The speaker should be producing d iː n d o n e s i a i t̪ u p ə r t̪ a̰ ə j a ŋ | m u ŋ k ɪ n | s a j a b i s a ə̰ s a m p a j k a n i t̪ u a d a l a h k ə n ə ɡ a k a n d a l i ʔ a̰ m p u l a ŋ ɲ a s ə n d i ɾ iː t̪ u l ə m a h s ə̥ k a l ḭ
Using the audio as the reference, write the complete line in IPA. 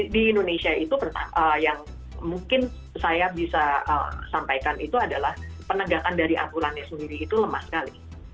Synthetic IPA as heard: d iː n d o n e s i a i t̪ u p ə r t̪ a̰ ə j a ŋ | m u ŋ k ɪ n | s a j a b i s a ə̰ s a m p a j k a n i t̪ u a d a l a h p ə n ə ɡ a k a n d a ɾ i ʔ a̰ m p u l a n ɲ a s ə n d i ɾ iː t̪ u l ə m a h s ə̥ k a l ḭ